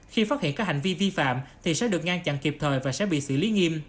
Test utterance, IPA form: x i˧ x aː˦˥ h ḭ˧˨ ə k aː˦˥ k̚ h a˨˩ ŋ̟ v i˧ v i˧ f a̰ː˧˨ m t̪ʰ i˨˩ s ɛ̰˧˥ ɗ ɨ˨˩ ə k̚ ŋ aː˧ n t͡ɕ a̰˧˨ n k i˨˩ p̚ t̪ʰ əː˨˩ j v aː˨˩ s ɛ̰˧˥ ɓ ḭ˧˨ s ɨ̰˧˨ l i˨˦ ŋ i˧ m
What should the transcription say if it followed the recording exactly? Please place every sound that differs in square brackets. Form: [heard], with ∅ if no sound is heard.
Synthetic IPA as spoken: x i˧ [f] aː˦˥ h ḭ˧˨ ə k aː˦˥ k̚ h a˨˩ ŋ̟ v i˧ v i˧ f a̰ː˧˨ m t̪ʰ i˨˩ s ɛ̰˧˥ ɗ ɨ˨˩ ə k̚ ŋ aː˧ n t͡ɕ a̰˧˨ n k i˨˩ p̚ t̪ʰ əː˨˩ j v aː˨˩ s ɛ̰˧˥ ɓ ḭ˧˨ s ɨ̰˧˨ l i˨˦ ŋ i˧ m